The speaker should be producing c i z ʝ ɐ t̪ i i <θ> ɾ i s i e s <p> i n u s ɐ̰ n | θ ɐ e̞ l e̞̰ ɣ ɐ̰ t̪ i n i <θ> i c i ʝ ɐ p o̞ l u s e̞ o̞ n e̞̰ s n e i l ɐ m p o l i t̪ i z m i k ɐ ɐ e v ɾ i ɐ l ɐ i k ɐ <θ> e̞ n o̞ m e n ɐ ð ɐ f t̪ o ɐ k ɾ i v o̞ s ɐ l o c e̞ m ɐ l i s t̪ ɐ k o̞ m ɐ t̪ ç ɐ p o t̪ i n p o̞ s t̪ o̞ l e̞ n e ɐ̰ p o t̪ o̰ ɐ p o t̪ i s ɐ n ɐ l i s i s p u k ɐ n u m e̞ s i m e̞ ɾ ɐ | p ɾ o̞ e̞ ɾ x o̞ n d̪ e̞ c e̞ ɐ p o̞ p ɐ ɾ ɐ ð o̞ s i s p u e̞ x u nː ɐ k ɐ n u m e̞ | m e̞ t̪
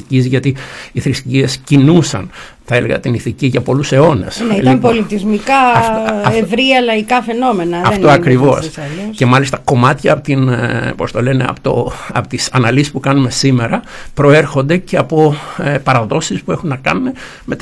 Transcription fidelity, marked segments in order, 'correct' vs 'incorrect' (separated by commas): correct, incorrect, correct, incorrect